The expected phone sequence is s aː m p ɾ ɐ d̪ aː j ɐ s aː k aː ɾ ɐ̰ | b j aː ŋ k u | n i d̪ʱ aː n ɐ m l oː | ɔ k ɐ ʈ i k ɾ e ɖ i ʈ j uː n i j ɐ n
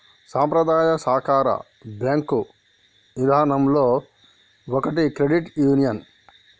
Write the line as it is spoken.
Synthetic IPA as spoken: s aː m p ɾ ɐ d̪ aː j ɐ s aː k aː ɾ ɐ̰ | b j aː ŋ k u | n i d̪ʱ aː n ɐ m l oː | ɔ k ɐ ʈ i k ɾ e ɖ i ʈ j uː n i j ɐ n